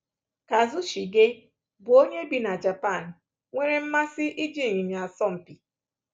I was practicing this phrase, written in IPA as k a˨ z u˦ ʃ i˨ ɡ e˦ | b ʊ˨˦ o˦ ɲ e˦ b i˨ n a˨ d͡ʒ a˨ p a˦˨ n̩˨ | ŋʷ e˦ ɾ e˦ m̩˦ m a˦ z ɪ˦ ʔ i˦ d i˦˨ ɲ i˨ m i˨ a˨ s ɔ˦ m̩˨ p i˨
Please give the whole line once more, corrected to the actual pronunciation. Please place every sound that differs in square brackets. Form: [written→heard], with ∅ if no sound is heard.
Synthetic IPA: k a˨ z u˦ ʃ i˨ ɡ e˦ | b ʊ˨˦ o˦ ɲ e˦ b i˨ n a˨ d͡ʒ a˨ p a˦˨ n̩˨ | ŋʷ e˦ ɾ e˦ m̩˦ m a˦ [z→s] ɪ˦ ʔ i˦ [d→d͡ʒ] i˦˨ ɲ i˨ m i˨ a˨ s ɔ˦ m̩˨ p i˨